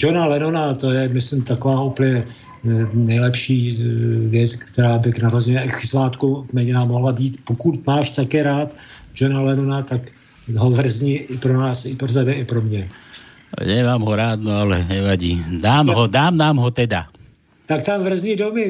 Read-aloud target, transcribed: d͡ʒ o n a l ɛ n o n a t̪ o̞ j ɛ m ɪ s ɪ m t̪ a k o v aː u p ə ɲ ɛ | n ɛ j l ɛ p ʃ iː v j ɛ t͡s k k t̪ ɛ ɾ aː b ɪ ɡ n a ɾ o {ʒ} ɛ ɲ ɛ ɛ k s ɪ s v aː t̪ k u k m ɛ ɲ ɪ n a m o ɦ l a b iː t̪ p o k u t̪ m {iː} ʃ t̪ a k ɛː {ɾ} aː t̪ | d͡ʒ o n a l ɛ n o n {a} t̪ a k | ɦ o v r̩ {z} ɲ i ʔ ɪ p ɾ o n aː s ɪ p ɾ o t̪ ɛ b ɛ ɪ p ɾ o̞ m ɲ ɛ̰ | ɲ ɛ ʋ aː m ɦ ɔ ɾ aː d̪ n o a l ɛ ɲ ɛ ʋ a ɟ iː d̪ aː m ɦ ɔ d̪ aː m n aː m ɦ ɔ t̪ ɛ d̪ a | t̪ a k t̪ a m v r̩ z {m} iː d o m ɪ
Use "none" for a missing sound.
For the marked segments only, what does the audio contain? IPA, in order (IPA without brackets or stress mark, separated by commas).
z, aː, ɾ, a, z, ɲ